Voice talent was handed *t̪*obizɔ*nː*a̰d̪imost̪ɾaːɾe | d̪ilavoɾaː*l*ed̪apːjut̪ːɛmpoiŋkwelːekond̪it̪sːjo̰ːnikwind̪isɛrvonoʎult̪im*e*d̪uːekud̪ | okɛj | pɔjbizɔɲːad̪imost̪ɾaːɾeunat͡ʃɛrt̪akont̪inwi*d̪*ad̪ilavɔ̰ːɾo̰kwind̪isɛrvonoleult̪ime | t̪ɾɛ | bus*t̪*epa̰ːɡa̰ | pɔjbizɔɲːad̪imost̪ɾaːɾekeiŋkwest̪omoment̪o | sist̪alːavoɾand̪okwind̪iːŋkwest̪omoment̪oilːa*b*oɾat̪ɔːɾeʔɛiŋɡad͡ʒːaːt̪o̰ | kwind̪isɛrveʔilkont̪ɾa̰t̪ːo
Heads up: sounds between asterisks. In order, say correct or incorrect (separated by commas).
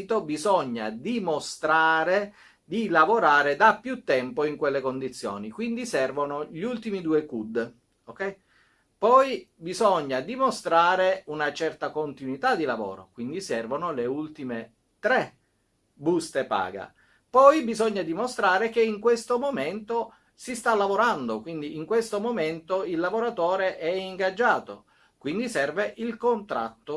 correct, incorrect, incorrect, incorrect, incorrect, correct, incorrect